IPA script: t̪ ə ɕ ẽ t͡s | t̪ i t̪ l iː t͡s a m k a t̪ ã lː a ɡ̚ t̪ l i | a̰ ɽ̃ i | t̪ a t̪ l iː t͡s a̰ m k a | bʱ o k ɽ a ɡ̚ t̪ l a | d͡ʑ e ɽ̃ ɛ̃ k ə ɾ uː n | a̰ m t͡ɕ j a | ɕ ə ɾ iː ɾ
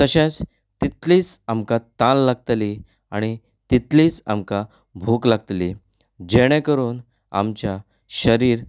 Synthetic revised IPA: t̪ ə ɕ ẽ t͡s | t̪ i t̪ l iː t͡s a m k a t̪ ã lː a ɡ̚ t̪ l i | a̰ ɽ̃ i | t̪ i t̪ l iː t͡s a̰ m k a | bʱ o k l a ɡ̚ t̪ l i | d͡ʑ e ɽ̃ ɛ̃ k ə ɾ uː n | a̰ m t͡ɕ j a | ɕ ə ɾ iː ɾ